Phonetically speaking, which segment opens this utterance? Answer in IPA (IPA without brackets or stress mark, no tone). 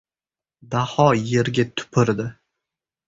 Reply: d̪